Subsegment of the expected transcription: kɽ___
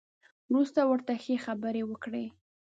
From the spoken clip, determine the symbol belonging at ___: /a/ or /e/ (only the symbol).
e